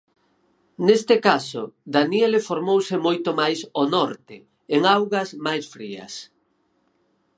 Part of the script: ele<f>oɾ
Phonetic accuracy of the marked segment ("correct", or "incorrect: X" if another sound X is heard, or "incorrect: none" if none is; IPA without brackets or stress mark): correct